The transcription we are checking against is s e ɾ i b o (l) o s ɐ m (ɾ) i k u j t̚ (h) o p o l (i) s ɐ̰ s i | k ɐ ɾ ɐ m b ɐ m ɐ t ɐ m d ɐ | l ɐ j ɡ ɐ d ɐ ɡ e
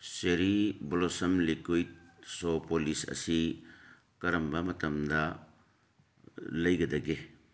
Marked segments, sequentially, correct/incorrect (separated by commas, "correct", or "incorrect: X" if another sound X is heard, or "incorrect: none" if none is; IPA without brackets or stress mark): correct, incorrect: l, incorrect: s, correct